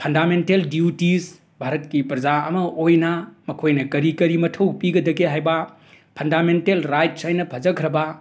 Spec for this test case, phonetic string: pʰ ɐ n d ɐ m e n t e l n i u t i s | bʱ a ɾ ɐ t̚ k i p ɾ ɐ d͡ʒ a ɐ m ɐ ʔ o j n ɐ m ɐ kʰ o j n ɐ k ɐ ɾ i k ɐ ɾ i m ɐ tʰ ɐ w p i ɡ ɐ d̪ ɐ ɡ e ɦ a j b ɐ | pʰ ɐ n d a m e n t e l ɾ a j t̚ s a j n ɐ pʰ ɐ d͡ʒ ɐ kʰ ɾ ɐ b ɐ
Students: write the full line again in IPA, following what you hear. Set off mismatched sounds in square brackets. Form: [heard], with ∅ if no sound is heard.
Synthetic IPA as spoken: pʰ ɐ n d [a] m e n t e l [d] i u t i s | bʱ a ɾ ɐ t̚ k i p ɾ ɐ d͡ʒ a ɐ m ɐ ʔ o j n ɐ m ɐ kʰ o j n ɐ k ɐ ɾ i k ɐ ɾ i m ɐ tʰ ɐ w p i ɡ ɐ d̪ ɐ ɡ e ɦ a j b ɐ | pʰ ɐ n d a m e n t e l ɾ a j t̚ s a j n ɐ pʰ ɐ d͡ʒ ɐ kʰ ɾ ɐ b ɐ

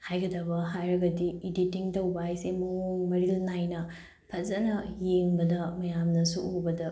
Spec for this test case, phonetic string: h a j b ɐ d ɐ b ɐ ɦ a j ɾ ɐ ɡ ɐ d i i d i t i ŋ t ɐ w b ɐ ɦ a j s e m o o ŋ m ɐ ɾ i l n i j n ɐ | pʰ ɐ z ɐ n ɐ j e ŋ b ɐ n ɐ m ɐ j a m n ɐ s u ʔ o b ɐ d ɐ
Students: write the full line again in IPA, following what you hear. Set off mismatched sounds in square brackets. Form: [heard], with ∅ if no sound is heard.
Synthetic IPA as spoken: h a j [ɡ] ɐ d ɐ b ɐ ɦ a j ɾ ɐ ɡ ɐ d i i d i t i ŋ t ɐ w b ɐ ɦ a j s e m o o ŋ m ɐ ɾ i l n [a] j n ɐ | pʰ ɐ z ɐ n ɐ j e ŋ b ɐ [d] ɐ m ɐ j a m n ɐ s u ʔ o b ɐ d ɐ

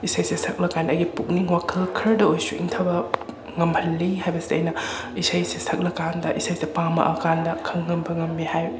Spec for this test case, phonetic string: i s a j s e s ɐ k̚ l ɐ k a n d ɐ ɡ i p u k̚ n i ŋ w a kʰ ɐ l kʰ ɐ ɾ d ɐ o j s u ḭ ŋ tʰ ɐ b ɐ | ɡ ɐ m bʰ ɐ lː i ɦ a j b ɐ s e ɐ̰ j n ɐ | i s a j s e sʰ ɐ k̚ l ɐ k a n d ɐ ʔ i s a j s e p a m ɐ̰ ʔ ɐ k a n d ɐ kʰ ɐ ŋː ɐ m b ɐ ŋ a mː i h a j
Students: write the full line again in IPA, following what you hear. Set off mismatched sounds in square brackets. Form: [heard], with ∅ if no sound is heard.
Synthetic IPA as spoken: i s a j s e s ɐ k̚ l ɐ k a n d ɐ ɡ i p u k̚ n i ŋ w a kʰ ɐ l kʰ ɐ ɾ d ɐ o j s u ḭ ŋ tʰ ɐ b ɐ | [ŋ] ɐ m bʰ ɐ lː i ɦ a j b ɐ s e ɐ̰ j n ɐ | i s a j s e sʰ ɐ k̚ l ɐ k a n d ɐ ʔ i s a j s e p a m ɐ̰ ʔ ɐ k a n d ɐ kʰ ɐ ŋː ɐ m b ɐ ŋ [ɐ] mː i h a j

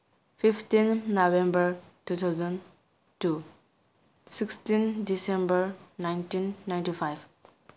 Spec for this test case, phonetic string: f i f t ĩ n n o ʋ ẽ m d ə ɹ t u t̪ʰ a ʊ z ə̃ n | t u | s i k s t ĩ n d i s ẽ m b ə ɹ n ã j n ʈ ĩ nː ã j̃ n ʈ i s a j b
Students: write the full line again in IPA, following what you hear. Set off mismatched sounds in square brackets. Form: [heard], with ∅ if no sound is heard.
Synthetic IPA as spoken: f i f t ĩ n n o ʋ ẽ m [b] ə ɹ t u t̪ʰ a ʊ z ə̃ n | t u | s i k s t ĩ n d i s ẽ m b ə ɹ n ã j n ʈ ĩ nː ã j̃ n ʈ i [f] a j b

